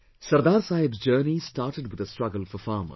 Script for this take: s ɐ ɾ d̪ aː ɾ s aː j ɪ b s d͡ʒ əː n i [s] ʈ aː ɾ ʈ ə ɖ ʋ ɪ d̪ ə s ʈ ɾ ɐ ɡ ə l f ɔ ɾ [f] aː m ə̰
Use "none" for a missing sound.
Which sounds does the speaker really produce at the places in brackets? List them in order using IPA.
s, f

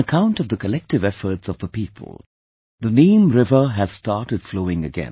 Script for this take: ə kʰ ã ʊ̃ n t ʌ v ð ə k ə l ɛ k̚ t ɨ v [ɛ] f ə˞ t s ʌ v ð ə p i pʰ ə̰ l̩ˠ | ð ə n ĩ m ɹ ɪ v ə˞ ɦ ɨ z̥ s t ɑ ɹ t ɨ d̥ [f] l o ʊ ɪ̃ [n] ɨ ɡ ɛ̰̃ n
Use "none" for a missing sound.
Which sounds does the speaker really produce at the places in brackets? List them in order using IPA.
ɛ, f, ŋ

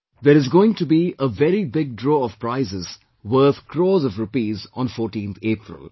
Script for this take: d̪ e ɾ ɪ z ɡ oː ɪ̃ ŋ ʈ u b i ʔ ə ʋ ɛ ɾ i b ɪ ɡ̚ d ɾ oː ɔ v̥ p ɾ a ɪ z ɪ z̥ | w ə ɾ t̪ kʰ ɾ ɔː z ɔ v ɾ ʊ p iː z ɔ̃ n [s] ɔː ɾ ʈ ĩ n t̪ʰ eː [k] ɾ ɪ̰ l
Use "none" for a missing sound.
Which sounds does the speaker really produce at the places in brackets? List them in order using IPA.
f, p

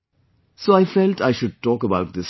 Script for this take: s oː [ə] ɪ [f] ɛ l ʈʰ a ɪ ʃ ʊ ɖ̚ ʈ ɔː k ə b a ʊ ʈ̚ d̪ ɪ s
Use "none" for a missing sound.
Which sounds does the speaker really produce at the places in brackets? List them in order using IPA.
a, f

